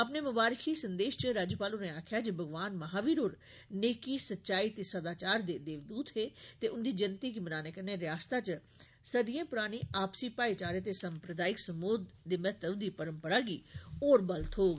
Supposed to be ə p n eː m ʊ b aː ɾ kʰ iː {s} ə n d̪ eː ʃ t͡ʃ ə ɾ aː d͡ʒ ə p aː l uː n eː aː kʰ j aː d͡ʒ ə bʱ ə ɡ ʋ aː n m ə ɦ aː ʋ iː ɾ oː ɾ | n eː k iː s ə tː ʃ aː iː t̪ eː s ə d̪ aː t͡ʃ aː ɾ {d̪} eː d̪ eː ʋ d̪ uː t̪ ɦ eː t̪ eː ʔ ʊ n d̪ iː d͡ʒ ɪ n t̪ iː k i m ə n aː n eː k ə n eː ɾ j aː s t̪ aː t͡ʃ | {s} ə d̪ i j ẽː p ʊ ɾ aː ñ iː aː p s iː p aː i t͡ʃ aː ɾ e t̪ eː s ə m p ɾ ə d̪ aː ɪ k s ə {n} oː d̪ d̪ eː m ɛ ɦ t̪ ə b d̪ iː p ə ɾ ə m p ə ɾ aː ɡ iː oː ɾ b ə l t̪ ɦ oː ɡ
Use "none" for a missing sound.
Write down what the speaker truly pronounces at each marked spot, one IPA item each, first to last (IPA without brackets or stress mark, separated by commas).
s, d̪, s, m